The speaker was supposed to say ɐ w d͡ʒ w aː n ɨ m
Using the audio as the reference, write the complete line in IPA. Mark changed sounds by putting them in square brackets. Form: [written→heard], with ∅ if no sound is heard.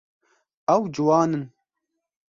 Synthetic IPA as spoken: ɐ w d͡ʒ w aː n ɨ [m→n]